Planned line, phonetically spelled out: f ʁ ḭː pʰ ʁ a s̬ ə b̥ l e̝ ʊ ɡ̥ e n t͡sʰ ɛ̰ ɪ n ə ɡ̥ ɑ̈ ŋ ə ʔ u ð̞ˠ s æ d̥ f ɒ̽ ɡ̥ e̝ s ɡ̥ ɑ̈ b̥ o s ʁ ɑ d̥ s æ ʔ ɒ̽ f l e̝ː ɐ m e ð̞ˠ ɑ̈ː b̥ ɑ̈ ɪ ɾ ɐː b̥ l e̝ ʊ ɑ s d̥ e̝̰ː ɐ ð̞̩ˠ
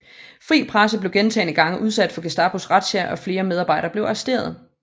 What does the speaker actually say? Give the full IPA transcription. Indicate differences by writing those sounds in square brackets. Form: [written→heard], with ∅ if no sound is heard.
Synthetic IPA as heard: f ʁ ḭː pʰ ʁ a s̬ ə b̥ l e̝ ʊ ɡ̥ e n t͡sʰ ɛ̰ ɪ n ə ɡ̥ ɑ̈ ŋ ə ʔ u ð̞ˠ s æ d̥ f ɒ̽ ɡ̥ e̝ s [ɡ̥→d̥] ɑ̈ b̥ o s ʁ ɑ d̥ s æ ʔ ɒ̽ f l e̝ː ɐ m e ð̞ˠ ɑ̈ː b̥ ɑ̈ ɪ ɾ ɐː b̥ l e̝ ʊ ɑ s d̥ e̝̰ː ɐ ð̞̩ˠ

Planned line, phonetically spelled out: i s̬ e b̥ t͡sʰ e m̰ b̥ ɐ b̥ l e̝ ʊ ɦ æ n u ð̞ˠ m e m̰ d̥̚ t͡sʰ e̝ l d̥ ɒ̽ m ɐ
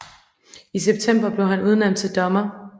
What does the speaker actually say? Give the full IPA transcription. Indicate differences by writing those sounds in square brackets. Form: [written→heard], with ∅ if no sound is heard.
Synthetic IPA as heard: i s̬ e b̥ t͡sʰ e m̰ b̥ ɐ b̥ l e̝ ʊ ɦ æ n u ð̞ˠ [m→n] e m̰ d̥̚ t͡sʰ e̝ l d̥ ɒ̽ m ɐ

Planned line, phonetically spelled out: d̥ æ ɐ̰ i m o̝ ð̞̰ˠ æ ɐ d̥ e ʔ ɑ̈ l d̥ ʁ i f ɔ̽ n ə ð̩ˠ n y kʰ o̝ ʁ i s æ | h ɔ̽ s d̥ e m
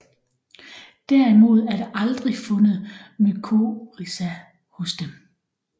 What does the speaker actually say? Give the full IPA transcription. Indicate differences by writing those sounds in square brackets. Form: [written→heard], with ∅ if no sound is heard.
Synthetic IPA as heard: d̥ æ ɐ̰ i m o̝ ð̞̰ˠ æ ɐ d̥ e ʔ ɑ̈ l d̥ ʁ i f ɔ̽ n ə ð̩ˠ [n→m] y kʰ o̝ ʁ i s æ | h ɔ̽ s d̥ e m

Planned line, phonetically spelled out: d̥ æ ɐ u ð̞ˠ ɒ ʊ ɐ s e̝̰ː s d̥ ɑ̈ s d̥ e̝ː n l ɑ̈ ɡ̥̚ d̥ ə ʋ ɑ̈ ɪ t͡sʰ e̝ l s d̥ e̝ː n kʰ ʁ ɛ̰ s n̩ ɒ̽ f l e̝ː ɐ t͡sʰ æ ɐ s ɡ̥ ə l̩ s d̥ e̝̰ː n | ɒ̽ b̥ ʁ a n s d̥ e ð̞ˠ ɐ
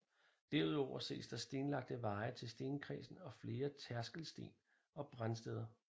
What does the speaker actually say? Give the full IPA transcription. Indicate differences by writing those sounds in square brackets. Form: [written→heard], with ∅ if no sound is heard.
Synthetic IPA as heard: d̥ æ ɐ u ð̞ˠ ɒ ʊ ɐ s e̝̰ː s d̥ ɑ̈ s d̥ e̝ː n l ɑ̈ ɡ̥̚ d̥ ə ʋ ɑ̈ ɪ t͡sʰ e̝ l s d̥ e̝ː n kʰ ʁ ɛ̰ s n̩ ɒ̽ f l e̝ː ɐ t͡sʰ æ ɐ s ɡ̥ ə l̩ s d̥ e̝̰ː n | ɒ̽ b̥ ʁ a n s d̥ e ð̞ˠ ɐ

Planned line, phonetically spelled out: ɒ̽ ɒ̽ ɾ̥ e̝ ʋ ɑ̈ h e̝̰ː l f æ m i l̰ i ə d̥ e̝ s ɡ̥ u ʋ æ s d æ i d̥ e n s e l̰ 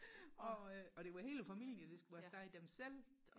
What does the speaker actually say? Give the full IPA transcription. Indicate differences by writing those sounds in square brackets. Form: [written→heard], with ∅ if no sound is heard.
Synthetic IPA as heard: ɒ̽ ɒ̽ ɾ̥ e̝ ʋ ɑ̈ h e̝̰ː l f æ m i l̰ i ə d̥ e̝ s ɡ̥ u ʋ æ s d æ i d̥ e [n→m] s e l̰

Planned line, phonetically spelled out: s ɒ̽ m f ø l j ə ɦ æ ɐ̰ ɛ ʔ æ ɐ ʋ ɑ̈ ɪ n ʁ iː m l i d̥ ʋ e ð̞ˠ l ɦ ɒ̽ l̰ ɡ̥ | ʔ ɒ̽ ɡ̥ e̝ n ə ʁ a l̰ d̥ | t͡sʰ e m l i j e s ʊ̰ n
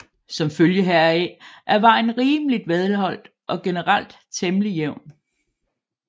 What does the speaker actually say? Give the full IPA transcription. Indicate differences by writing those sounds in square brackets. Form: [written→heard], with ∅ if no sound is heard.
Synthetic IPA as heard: s ɒ̽ m f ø l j ə ɦ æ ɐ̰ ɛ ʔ æ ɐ ʋ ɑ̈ ɪ n ʁ iː m l i d̥ ʋ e ð̞ˠ l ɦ ɒ̽ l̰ [ɡ̥→d̥] | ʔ ɒ̽ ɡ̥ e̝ n ə ʁ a l̰ d̥ | t͡sʰ e m l i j e [s→∅] ʊ̰ n

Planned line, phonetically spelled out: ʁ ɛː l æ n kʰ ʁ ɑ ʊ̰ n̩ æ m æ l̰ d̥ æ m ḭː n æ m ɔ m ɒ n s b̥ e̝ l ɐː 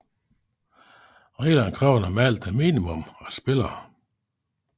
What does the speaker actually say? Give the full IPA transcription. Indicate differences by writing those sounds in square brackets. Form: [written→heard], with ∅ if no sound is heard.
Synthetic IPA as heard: ʁ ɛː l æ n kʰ ʁ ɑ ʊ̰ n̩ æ m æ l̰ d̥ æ m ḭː n [æ→i] m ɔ m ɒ [n→∅] s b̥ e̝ l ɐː

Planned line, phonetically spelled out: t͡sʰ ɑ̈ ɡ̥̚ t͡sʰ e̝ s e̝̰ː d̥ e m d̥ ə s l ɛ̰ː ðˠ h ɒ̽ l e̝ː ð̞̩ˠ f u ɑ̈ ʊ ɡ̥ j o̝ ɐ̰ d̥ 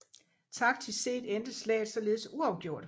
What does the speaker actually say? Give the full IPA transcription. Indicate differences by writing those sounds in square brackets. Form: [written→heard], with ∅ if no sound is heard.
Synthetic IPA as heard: t͡sʰ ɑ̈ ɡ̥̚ t͡sʰ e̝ s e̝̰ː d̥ e [m→n] d̥ ə s l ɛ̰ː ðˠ [h→s] ɒ̽ l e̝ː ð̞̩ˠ [f→s] u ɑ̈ ʊ ɡ̥ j o̝ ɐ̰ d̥

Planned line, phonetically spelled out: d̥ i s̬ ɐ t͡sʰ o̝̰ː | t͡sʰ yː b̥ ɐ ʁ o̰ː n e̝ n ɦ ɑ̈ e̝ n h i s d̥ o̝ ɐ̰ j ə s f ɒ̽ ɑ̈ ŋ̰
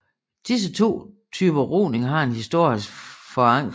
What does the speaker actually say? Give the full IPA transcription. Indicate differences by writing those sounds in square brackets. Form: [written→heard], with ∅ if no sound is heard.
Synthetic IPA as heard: d̥ i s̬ [ɐ→ə] t͡sʰ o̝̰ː | t͡sʰ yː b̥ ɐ ʁ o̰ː n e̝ [n→ŋ] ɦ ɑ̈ e̝ n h i s d̥ o̝ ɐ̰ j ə s f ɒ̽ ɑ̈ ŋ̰

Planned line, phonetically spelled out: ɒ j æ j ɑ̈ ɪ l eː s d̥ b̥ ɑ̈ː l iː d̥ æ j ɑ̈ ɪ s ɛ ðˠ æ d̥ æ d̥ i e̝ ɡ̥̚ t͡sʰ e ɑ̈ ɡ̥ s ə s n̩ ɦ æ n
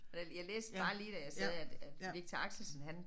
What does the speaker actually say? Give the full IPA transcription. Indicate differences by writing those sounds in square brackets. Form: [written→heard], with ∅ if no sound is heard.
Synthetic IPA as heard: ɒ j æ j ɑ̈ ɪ l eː s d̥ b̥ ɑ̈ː l iː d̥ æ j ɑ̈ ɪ s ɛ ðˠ æ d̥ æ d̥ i e̝ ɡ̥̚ t͡sʰ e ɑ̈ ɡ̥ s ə s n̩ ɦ æ n

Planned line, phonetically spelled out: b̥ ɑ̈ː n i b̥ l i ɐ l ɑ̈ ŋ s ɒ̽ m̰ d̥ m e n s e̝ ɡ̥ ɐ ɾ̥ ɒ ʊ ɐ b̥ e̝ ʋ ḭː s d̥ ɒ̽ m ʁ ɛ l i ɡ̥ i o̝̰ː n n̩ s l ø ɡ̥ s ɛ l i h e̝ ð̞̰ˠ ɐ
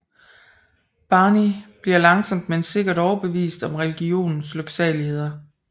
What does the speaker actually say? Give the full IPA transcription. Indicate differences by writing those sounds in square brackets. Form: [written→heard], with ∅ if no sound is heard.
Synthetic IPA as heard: b̥ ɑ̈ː n i b̥ l i ɐ l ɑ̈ ŋ s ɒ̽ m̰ d̥ m e n s e̝ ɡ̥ ɐ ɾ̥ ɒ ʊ ɐ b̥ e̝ ʋ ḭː s d̥ ɒ̽ m ʁ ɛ l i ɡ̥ i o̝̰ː n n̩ s l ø ɡ̥ s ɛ l i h e̝ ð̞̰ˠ ɐ

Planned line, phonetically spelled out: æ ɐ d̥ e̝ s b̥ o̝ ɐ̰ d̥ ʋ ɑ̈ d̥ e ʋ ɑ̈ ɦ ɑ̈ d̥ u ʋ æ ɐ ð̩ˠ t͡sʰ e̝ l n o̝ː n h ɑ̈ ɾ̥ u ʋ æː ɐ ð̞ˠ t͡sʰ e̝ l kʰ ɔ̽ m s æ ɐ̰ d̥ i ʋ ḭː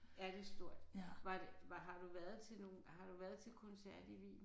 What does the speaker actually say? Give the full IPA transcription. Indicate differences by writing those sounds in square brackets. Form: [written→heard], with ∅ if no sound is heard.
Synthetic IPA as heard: æ ɐ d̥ e̝ s [b̥→d̥] o̝ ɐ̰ d̥ ʋ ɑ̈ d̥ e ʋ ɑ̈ ɦ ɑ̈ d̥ u ʋ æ ɐ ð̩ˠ t͡sʰ e̝ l n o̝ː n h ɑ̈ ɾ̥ u ʋ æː ɐ ð̞ˠ t͡sʰ e̝ l kʰ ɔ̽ [m→n] s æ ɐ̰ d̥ i ʋ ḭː

